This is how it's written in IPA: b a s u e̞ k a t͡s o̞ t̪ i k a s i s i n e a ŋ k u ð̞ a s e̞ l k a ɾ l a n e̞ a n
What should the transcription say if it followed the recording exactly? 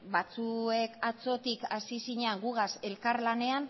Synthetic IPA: b a t͡s u e̞ k a t͡s o̞ t̪ i k a s i s i ɲ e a ŋ ɡ u ɣ̞ a s e̞ l k a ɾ l a n e̞ a n